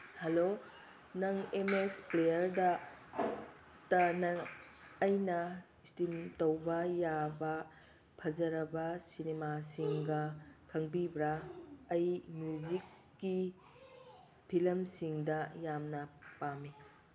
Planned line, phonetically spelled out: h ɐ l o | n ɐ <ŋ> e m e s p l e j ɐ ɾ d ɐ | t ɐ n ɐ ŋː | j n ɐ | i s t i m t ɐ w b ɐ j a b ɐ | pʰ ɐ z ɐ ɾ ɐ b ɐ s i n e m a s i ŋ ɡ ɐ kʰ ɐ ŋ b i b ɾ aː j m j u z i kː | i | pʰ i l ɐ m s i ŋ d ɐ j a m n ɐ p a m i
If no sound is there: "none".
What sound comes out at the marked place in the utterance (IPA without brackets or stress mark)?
ŋ